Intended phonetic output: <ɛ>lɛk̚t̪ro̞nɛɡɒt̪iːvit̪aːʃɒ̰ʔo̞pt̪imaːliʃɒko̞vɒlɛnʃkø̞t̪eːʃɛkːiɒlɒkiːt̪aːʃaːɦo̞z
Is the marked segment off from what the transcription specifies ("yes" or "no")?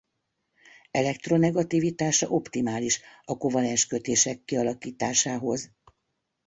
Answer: no